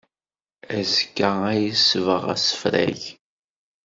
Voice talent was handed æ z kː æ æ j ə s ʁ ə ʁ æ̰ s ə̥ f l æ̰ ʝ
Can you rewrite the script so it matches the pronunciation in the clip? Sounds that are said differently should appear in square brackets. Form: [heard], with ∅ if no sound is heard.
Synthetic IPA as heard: æ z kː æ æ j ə s [v] ə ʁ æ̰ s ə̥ f [ɾ] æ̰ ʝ